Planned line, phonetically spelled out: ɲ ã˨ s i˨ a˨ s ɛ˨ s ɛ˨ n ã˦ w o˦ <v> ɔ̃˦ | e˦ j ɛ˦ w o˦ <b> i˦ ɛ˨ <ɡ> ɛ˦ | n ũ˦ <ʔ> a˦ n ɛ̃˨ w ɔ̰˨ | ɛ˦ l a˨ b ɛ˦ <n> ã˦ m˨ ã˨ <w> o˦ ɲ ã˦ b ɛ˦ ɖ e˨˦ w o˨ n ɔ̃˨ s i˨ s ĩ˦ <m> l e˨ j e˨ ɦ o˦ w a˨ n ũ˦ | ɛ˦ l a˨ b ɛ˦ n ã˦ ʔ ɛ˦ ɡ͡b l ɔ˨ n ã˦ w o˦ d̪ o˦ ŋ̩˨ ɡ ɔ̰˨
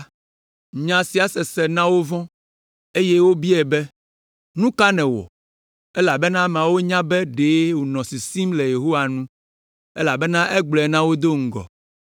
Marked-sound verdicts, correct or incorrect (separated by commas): correct, correct, incorrect, incorrect, correct, correct, correct